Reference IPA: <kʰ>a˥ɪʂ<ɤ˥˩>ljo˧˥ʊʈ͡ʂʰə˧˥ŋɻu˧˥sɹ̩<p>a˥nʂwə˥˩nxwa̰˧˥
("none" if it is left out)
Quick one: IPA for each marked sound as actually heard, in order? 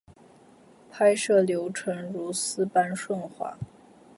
pʰ, ɤ˥˩, p

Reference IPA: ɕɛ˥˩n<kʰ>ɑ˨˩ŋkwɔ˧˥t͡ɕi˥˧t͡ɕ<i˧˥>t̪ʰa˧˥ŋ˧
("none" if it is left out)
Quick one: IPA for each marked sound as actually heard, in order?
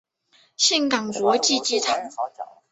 k, i˥˩

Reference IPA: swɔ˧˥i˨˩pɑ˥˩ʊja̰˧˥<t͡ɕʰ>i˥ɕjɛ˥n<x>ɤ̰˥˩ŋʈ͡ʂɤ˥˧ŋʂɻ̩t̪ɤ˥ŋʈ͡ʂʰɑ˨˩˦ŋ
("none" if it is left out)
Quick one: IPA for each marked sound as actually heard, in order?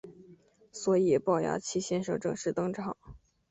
t͡ɕʰ, ʂ

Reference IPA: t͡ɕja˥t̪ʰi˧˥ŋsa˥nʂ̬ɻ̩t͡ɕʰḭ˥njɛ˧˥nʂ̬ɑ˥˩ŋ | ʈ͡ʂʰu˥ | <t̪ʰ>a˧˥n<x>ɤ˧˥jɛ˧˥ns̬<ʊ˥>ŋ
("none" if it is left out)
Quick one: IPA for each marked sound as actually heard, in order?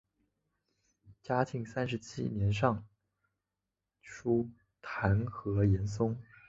t̪ʰ, x, ʊ˥

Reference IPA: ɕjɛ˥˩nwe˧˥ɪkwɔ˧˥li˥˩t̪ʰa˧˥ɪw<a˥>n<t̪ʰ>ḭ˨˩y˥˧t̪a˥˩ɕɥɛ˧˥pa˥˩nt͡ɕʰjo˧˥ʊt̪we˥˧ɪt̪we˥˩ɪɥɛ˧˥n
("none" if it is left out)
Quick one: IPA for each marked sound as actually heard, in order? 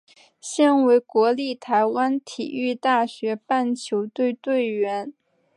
a˥, t̪ʰ

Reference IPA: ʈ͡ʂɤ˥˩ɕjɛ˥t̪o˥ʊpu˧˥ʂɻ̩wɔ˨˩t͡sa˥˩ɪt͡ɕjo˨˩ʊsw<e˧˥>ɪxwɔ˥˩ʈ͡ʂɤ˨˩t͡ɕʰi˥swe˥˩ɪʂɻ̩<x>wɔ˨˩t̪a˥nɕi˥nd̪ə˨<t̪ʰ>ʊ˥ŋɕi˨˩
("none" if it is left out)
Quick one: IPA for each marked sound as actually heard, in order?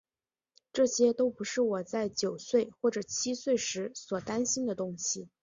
e˥˩, s, t̪

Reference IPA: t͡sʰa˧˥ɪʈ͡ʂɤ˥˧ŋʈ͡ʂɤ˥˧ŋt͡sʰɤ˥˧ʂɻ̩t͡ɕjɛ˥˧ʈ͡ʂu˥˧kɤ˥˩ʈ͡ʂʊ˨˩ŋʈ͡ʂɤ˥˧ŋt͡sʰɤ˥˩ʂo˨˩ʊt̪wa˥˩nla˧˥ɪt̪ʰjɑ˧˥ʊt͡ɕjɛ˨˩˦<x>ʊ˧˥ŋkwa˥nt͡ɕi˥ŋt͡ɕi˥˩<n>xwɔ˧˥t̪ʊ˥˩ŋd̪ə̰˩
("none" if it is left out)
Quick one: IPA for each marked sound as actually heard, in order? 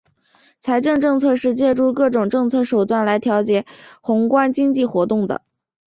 x, none

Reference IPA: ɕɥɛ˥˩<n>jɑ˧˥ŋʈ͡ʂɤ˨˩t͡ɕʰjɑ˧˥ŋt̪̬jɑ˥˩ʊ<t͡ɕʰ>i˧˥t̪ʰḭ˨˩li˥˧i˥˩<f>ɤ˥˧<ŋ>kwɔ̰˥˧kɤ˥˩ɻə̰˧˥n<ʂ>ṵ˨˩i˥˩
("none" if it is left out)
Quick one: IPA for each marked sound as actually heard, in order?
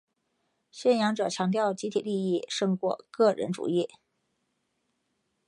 n, t͡ɕ, ʂ, ŋ, ʈ͡ʂ

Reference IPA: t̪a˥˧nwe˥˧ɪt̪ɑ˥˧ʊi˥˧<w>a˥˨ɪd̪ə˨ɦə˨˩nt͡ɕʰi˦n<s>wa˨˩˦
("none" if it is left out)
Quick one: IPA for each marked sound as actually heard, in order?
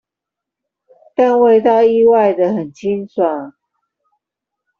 w, s

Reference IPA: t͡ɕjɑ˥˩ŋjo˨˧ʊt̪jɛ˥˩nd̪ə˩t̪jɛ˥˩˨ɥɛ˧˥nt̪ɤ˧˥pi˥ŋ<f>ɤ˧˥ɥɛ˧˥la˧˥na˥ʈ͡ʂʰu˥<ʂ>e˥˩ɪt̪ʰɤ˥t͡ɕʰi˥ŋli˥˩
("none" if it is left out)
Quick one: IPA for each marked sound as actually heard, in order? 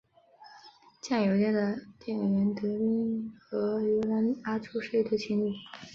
x, ʂ

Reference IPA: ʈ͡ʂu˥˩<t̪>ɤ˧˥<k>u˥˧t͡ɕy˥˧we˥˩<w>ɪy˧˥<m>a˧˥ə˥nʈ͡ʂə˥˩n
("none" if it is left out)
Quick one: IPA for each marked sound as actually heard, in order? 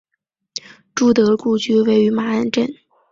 t̪, k, none, m

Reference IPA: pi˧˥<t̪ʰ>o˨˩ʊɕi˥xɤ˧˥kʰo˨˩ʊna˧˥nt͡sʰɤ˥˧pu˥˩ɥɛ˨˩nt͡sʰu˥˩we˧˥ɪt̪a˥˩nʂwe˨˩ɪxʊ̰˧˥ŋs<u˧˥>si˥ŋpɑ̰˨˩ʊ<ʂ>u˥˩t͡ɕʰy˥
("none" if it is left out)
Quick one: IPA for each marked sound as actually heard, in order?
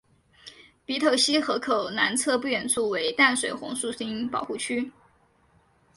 t̪ʰ, u˥˩, x

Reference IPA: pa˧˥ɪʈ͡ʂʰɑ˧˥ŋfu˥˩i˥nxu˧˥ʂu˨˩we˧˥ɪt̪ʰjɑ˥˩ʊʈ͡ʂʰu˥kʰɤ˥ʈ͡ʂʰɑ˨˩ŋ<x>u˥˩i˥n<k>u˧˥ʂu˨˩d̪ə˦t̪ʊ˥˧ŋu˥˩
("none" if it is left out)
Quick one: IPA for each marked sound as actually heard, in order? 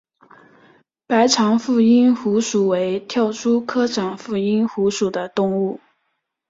f, x

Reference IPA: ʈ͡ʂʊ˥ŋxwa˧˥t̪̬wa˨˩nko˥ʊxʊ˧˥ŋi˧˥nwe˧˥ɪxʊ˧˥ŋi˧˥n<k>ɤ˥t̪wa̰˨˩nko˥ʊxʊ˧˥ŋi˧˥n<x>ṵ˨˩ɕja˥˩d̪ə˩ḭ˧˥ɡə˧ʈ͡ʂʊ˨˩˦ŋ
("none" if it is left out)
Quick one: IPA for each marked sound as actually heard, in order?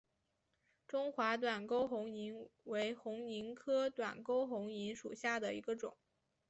kʰ, ʂ

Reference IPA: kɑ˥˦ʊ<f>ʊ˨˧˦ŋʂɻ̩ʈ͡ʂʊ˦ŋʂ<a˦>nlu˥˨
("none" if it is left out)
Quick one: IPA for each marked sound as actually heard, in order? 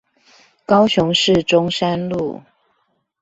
ɕ, a˦

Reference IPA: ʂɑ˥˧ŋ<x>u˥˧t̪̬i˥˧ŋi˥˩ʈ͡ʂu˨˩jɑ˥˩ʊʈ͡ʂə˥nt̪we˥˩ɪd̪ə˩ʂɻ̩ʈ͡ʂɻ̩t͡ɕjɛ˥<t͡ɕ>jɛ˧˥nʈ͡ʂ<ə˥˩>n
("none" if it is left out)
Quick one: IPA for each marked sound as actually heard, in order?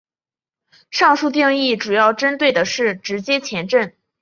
ʂ, t͡ɕʰ, ə˥˩

